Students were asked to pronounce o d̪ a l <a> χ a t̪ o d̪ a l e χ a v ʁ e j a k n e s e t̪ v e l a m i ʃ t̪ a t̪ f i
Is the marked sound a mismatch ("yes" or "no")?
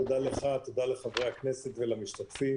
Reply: yes